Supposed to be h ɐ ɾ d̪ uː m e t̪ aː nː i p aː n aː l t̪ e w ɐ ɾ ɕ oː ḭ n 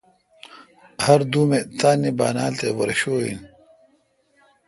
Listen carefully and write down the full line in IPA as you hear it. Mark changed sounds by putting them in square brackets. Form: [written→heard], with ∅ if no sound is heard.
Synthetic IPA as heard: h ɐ ɾ d̪ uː m e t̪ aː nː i [p→b] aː n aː l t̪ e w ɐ ɾ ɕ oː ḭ n